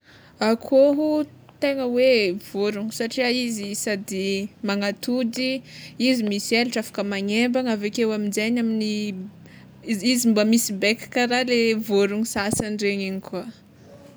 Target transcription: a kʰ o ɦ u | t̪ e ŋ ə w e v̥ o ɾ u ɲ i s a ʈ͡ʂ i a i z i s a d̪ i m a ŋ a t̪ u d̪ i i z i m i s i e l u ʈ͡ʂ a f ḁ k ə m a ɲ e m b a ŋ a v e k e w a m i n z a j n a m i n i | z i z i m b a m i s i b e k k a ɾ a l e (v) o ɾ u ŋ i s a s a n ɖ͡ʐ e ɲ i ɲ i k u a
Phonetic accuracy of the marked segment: correct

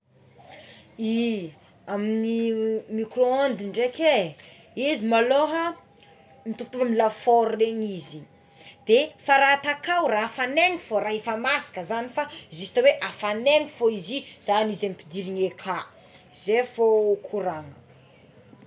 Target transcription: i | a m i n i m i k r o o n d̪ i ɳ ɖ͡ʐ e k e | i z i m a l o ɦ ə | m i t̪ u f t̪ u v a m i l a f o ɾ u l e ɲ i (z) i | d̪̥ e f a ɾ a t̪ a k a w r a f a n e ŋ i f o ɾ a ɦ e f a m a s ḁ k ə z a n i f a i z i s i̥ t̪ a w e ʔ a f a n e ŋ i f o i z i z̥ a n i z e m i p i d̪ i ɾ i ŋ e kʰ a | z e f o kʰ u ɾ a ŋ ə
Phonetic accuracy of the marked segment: correct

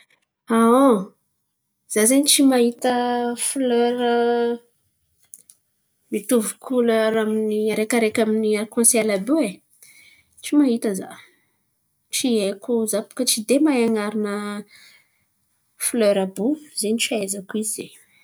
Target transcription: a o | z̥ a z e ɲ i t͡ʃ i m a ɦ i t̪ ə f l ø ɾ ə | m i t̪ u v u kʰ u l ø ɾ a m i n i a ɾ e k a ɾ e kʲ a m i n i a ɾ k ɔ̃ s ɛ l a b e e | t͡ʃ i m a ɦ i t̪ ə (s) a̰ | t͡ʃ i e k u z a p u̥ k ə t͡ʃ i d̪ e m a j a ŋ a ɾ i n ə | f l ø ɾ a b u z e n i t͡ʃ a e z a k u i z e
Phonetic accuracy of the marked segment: incorrect: z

